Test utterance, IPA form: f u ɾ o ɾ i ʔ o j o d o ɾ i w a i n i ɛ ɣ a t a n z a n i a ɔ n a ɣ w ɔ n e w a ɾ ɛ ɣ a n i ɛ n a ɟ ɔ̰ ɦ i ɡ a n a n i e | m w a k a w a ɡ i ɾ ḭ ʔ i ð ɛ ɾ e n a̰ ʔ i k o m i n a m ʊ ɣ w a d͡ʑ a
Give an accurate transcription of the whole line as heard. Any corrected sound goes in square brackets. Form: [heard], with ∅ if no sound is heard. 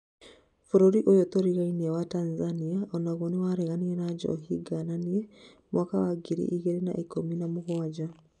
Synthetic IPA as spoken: f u ɾ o ɾ i ʔ o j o [t] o ɾ i [ɣ] a i n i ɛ [w] a t a n z a n i a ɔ n a ɣ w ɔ n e w a ɾ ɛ ɣ a n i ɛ n a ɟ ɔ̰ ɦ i ɡ a n a n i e | m w a k a w a ɡ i ɾ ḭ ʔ i [ɣ] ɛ ɾ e n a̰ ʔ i k o m i n a m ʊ ɣ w a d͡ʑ a